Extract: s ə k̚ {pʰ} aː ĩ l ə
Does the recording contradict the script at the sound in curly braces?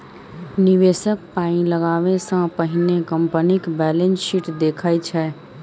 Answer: yes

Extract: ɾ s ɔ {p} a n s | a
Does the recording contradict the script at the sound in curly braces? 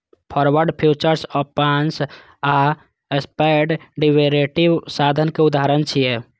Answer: no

